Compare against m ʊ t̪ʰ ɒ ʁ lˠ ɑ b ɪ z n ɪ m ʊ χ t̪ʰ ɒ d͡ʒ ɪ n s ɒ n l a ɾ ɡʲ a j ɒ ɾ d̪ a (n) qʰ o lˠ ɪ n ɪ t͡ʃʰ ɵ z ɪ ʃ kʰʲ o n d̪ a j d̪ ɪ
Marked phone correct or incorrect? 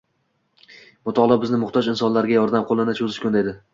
incorrect